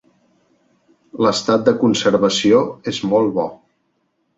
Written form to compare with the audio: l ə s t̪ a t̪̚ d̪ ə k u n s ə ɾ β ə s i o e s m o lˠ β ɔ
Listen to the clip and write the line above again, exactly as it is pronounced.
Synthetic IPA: l ə s t̪ a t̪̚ d̪ ə k u n s ə ɾ β ə s i o e z m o lˠ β ɔ